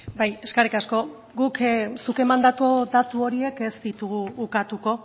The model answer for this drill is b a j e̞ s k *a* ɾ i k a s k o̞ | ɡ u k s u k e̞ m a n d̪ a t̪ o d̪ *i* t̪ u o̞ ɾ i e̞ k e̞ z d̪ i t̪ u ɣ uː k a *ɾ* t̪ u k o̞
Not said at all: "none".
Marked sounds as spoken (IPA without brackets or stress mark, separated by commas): a, a, none